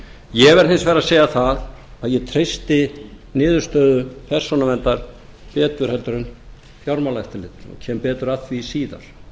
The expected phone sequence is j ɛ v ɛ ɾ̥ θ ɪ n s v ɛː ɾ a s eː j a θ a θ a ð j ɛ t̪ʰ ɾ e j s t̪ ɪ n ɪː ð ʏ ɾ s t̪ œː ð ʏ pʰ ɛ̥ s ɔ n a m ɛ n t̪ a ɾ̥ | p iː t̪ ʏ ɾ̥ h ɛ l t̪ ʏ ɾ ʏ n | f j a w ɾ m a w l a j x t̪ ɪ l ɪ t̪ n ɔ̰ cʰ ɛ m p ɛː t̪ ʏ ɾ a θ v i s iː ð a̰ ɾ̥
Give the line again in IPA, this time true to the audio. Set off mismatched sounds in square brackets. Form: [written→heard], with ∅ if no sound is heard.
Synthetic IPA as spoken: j ɛ v ɛ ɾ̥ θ ɪ n s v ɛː ɾ a s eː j a θ a [θ→ð] a ð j ɛ t̪ʰ ɾ e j s t̪ ɪ n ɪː ð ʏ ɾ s t̪ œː ð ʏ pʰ ɛ̥ s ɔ n a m ɛ n t̪ a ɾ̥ | p [iː→ɛː] t̪ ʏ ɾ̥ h ɛ l t̪ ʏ ɾ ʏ n | f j a w ɾ m a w l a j [x→h] t̪ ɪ l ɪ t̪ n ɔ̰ cʰ ɛ m p ɛː t̪ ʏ ɾ a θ v i s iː ð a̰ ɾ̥